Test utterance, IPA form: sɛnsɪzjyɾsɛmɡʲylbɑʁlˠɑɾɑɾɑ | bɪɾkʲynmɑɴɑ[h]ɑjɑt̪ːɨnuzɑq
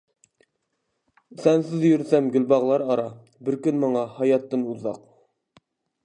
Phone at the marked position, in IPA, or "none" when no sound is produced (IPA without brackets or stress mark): h